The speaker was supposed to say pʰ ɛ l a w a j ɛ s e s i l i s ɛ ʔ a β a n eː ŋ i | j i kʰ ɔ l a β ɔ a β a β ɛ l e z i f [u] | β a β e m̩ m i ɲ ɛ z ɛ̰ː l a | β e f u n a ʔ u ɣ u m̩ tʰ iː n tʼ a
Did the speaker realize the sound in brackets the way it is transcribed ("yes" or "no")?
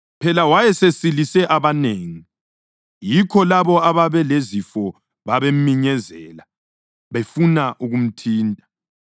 no